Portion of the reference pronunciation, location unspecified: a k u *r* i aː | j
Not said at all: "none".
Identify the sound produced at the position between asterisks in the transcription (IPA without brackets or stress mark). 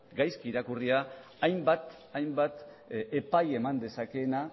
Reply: r